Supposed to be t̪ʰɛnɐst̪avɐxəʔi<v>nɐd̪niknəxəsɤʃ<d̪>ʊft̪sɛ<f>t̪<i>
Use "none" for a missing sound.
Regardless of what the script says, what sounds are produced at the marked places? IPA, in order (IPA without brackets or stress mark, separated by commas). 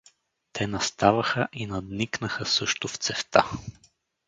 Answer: none, t̪, f, a